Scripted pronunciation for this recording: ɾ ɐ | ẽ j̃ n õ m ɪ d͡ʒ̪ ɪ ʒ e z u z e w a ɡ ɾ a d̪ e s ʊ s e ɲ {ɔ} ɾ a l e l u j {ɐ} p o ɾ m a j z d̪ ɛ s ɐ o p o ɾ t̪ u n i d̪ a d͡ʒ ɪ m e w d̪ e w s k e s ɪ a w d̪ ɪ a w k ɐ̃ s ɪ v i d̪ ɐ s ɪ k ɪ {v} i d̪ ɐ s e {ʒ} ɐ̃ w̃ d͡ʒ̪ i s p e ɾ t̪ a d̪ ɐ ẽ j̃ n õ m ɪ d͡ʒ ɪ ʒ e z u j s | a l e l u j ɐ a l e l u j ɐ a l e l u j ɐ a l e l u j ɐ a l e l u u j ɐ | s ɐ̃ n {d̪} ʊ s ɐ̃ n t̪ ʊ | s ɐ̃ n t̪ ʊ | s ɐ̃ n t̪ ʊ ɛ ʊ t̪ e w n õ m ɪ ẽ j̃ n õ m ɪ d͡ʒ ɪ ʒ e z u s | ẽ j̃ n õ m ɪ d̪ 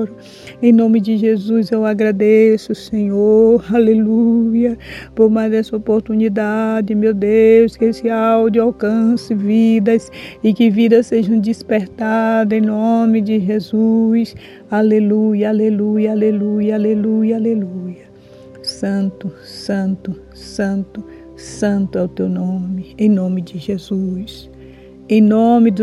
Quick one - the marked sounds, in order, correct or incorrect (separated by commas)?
incorrect, correct, correct, correct, incorrect